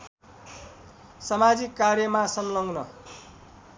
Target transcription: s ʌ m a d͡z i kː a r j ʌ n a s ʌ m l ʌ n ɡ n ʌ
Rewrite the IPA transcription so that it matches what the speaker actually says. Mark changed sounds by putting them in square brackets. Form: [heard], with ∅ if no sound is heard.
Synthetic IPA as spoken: s ʌ m a d͡z i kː a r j ʌ [m] a s ʌ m l ʌ [ŋ] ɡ n ʌ